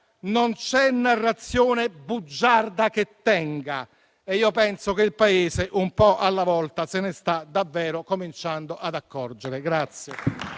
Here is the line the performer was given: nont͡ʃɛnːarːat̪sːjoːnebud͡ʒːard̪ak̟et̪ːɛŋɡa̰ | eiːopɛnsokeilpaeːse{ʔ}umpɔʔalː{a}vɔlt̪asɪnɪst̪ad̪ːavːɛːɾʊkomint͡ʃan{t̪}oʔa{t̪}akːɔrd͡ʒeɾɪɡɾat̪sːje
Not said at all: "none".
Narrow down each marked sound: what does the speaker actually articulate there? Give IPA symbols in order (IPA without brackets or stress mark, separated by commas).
ʔ, a, d̪, d̪